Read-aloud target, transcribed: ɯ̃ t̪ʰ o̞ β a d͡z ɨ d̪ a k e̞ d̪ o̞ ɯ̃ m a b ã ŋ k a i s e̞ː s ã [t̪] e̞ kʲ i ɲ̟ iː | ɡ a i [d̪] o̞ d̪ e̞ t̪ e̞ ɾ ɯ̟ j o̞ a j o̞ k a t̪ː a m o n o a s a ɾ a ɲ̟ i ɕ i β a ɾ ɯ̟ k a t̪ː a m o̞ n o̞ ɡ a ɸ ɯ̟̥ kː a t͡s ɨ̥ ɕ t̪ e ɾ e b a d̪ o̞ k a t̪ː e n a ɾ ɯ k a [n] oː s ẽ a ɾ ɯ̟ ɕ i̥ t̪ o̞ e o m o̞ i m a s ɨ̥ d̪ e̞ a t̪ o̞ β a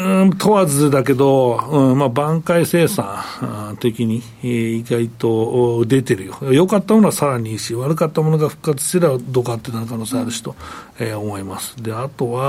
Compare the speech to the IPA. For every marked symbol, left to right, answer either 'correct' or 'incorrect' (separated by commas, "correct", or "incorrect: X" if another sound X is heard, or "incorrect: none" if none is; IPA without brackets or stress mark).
correct, incorrect: t̪, correct